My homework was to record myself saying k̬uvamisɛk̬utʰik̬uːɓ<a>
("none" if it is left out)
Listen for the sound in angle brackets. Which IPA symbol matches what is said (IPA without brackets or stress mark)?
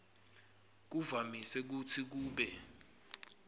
ɛ